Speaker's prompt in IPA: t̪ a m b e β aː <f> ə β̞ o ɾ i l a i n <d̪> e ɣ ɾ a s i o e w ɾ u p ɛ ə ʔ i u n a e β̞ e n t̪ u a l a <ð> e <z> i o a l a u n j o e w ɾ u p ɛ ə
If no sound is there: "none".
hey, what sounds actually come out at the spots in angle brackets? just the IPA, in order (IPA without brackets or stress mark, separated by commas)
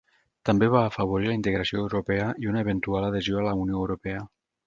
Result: f, t̪, ð, z